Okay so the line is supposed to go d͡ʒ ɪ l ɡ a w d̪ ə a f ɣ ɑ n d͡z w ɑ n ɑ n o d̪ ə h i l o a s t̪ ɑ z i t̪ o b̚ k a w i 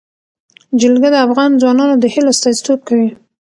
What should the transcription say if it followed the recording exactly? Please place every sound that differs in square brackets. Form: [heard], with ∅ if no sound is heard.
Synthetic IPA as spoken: d͡ʒ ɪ l ɡ a [∅] d̪ ə a f ɣ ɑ n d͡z w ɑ n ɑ n o d̪ ə h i l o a s t̪ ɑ z i t̪ o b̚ k a w i